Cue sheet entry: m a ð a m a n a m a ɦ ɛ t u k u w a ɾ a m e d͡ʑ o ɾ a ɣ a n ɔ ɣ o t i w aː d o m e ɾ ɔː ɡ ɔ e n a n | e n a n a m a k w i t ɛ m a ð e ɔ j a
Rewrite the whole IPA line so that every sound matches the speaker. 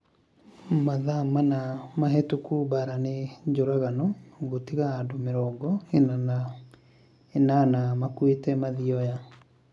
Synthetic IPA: m a ð a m a n a m a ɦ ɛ t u k u b a ɾ a n e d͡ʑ o ɾ a ɣ a n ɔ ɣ o t i ɣ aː d o m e ɾ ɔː ɡ ɔ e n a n | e n a n a m a k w e t ɛ m a ð i ɔ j a